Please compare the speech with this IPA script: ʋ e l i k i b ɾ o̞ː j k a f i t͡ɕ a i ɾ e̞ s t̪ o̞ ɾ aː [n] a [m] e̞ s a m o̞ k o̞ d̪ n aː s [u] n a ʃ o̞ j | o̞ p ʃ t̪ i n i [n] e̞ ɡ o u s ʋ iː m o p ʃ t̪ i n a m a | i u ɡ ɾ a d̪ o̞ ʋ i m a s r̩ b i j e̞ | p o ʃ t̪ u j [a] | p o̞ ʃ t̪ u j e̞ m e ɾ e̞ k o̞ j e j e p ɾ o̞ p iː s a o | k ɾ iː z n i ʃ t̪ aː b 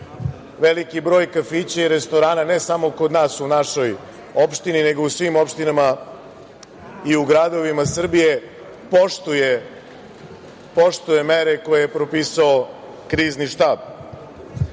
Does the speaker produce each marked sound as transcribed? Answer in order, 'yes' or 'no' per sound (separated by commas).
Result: yes, no, yes, yes, no